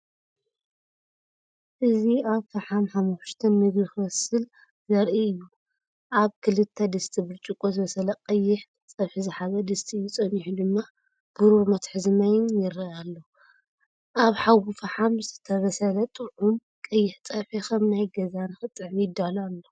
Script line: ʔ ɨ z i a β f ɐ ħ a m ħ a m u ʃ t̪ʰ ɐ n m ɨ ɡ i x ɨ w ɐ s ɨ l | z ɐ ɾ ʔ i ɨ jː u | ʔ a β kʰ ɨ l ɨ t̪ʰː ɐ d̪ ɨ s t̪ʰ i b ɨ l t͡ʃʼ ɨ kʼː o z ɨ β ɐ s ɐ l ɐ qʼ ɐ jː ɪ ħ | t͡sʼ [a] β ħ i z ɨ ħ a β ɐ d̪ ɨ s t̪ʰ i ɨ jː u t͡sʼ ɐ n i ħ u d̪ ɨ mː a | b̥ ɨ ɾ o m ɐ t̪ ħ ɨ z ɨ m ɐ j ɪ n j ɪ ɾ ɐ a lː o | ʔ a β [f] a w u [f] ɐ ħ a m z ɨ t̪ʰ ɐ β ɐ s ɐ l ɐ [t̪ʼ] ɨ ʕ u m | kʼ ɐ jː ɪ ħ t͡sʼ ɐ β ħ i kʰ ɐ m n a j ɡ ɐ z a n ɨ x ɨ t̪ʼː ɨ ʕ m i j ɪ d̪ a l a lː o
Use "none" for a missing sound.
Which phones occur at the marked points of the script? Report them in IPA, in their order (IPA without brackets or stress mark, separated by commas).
ɐ, ħ, f, t̪ʼ